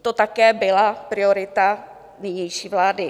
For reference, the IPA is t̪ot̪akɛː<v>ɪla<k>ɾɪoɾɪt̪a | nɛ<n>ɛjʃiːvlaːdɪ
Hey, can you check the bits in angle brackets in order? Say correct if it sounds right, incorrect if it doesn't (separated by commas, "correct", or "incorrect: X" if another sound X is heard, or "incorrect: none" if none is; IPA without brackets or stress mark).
incorrect: b, incorrect: p, incorrect: ɲ